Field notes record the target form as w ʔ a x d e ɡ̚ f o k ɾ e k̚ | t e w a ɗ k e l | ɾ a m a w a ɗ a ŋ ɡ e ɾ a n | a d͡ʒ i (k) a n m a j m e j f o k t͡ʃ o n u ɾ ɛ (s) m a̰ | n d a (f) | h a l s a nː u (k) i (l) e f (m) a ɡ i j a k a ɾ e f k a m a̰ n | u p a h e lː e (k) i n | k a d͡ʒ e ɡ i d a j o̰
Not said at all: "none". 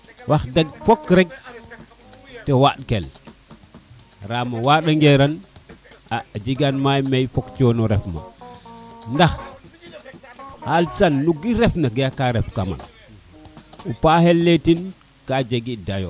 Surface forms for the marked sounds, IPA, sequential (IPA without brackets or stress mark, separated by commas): ɡ, f, x, ɡ, ɾ, n, t